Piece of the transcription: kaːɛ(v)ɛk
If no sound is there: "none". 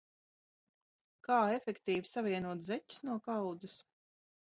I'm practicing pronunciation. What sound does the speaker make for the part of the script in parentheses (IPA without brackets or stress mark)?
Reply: f